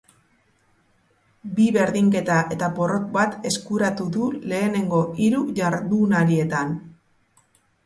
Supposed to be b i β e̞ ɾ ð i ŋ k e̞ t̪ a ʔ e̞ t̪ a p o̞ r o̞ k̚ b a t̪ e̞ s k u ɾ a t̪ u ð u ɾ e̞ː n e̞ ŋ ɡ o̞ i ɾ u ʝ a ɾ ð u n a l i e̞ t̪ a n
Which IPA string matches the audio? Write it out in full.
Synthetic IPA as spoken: b i β e̞ ɾ ð i ŋ k e̞ t̪ a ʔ e̞ t̪ a p o̞ r o̞ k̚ b a t̪ e̞ s k u ɾ a t̪ u ð u l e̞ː n e̞ ŋ ɡ o̞ i ɾ u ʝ a ɾ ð u n a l i e̞ t̪ a n